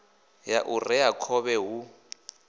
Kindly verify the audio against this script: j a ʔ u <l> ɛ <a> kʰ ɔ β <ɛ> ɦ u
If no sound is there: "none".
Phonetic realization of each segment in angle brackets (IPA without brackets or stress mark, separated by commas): r, a, ɛ